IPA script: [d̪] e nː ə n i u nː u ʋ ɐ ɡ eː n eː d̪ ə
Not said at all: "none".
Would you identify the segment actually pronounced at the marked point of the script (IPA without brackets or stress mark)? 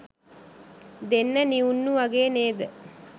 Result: d̪